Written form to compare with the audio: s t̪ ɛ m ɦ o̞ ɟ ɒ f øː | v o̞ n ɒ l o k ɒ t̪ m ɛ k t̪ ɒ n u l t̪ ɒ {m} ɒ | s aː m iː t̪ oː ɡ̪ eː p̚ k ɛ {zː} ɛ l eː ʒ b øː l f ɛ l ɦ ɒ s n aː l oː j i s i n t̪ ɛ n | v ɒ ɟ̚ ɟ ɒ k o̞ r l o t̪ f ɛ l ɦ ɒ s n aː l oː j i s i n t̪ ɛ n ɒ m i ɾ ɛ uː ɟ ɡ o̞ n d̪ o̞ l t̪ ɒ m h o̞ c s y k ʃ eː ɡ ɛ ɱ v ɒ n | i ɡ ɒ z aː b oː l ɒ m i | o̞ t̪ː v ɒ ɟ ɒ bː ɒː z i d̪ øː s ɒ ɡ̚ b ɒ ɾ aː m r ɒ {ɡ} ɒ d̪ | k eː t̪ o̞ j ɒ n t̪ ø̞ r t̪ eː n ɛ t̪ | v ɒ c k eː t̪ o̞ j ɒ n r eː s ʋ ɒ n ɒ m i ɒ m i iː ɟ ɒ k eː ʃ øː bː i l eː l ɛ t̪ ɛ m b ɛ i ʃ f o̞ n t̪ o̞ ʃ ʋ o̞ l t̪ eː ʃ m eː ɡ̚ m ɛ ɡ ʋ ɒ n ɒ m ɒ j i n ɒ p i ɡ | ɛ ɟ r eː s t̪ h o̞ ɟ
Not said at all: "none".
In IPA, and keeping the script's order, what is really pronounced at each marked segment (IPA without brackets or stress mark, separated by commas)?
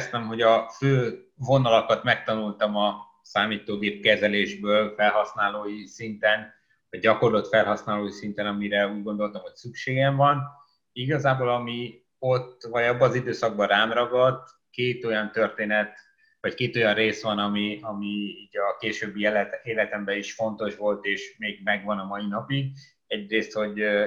m, z, ɡ